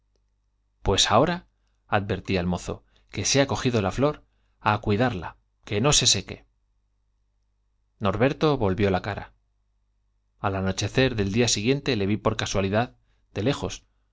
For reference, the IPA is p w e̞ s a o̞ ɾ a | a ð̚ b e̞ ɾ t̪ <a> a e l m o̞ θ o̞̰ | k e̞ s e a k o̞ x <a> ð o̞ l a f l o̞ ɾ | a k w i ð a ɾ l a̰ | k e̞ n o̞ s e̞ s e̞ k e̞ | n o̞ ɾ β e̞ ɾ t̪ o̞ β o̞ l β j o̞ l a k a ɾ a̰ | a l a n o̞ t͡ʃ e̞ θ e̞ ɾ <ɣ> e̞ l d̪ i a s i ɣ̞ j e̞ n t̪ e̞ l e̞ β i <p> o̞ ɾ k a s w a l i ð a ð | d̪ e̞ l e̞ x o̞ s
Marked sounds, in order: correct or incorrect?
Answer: incorrect: i, incorrect: i, incorrect: ð, correct

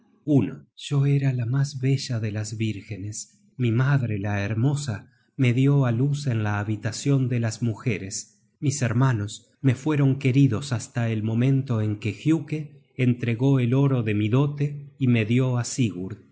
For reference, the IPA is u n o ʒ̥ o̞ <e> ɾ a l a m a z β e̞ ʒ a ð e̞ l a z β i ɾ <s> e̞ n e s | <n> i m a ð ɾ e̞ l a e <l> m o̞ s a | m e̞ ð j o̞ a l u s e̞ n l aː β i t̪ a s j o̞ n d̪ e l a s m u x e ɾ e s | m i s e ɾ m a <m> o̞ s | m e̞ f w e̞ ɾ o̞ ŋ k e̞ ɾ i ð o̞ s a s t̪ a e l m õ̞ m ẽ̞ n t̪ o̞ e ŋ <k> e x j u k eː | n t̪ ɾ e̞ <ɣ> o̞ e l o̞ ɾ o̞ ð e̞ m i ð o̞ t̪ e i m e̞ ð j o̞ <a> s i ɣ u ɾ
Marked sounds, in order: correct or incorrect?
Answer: correct, incorrect: x, incorrect: m, incorrect: ɾ, incorrect: n, correct, correct, correct

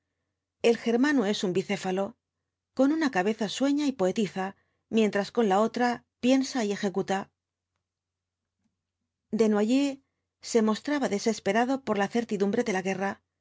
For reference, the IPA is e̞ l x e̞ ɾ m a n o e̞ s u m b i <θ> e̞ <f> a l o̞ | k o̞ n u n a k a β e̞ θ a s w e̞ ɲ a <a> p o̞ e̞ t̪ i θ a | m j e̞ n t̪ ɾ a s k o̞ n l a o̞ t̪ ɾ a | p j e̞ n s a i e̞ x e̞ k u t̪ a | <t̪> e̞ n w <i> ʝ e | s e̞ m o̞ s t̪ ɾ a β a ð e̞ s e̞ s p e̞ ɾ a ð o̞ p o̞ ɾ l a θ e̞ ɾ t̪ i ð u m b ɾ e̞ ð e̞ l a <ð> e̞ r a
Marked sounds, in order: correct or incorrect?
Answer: correct, correct, incorrect: i, incorrect: d̪, incorrect: a, incorrect: ɣ

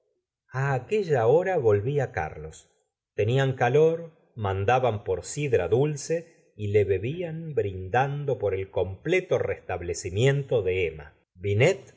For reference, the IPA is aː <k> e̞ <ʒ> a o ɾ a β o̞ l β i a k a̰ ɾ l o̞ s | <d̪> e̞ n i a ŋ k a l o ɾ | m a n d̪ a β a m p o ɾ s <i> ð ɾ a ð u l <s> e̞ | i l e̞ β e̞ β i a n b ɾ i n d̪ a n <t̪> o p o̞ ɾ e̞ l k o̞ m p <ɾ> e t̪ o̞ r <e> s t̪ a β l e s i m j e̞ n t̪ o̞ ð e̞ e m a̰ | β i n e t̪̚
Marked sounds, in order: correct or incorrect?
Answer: correct, correct, incorrect: t̪, correct, correct, incorrect: d̪, incorrect: l, correct

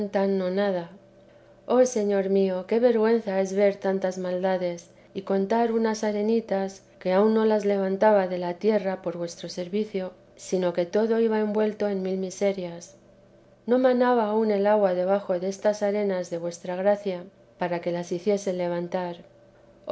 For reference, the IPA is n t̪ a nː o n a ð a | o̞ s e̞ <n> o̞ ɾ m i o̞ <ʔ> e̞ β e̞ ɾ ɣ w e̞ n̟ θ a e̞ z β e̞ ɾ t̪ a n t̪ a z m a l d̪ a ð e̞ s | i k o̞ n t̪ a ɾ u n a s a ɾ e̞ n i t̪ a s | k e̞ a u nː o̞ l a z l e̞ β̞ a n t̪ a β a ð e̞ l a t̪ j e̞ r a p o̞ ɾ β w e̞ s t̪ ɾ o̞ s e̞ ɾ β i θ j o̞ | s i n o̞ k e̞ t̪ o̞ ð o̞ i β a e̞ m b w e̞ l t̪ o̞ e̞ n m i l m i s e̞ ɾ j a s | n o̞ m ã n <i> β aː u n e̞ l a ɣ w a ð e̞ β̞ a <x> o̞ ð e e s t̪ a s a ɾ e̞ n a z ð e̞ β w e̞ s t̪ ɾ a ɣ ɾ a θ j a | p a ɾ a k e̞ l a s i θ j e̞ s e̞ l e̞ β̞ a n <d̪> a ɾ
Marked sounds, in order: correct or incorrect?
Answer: incorrect: ɲ, incorrect: k, incorrect: a, correct, incorrect: t̪

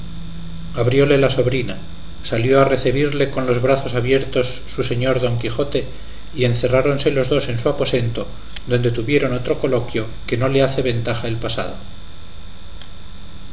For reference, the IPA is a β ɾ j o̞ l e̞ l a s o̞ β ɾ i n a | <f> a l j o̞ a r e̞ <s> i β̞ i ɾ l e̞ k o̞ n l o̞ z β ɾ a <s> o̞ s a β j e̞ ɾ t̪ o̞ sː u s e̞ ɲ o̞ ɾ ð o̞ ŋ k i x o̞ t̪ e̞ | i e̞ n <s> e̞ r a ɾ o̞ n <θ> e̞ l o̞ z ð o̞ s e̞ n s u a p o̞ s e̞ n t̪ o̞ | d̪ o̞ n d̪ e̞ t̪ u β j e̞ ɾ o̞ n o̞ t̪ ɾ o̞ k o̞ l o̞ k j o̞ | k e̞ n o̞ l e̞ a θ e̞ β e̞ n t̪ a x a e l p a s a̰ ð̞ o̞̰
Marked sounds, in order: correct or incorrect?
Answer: incorrect: s, incorrect: θ, incorrect: θ, incorrect: θ, incorrect: s

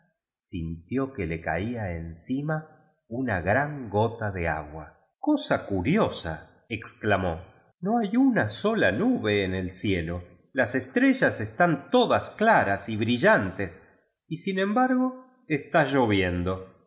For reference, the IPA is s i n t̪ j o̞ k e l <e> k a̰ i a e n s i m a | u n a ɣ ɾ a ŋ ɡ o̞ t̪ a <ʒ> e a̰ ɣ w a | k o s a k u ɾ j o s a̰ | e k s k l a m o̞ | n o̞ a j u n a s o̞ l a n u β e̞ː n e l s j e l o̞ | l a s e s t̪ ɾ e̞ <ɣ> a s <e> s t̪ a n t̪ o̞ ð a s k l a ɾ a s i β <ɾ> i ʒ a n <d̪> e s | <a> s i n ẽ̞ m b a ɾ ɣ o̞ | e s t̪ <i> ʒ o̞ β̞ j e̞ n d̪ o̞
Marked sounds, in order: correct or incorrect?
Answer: correct, incorrect: ð, incorrect: ʒ, correct, correct, incorrect: t̪, incorrect: i, incorrect: a

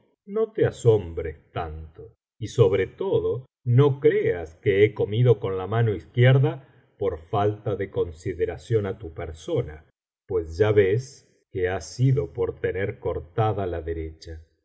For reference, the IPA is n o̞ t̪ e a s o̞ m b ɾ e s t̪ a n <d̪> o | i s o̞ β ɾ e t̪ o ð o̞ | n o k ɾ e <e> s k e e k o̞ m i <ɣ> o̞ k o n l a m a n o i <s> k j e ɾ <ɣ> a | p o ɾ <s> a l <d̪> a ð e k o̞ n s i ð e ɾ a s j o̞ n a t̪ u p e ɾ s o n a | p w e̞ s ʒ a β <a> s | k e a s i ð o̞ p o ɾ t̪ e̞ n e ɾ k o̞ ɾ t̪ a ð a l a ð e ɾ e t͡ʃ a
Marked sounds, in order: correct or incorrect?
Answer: incorrect: t̪, incorrect: a, incorrect: ð, correct, incorrect: ð, incorrect: f, incorrect: t̪, incorrect: e

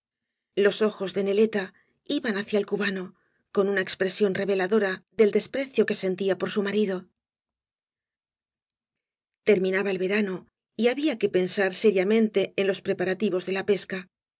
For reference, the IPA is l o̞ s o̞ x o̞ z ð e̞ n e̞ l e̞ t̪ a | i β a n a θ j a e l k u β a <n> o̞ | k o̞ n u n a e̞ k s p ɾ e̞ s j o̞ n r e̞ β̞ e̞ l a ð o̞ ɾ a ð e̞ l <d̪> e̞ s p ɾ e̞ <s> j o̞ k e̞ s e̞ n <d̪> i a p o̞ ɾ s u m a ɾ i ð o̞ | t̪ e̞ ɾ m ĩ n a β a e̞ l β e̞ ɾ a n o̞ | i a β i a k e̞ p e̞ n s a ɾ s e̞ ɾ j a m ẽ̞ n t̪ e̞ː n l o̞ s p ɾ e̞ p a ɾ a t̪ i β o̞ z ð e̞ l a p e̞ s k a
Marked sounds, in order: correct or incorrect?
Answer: correct, correct, incorrect: θ, incorrect: t̪

